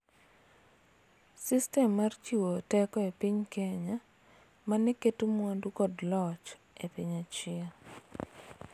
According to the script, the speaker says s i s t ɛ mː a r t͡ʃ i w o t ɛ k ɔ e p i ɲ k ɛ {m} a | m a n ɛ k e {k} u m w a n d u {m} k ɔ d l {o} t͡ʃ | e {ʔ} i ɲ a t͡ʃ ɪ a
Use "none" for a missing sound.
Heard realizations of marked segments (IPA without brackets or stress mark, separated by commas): ɲ, t, none, ɔ, p